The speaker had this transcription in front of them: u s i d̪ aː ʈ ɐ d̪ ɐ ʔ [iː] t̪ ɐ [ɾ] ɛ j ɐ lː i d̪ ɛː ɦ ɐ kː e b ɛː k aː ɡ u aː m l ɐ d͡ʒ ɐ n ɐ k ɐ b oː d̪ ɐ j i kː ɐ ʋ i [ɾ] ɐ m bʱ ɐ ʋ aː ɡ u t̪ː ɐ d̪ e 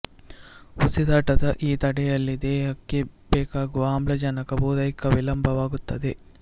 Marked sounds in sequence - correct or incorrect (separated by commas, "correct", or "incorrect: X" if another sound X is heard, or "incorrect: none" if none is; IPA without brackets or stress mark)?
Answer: correct, incorrect: ɽ, incorrect: l